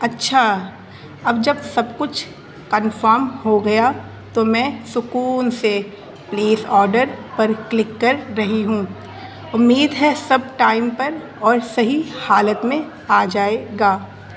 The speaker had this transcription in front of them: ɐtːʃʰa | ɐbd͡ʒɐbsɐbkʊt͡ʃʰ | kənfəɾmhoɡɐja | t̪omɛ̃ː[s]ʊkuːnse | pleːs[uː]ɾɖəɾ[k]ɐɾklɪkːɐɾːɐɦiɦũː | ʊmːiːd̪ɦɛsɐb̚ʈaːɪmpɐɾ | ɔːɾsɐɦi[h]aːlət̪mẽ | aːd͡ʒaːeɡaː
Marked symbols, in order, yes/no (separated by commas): yes, no, no, yes